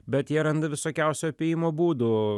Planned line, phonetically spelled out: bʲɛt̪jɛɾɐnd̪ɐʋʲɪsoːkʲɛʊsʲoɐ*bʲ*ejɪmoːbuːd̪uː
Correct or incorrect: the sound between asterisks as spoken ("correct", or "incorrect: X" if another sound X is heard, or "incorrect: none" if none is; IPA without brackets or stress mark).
incorrect: pʲ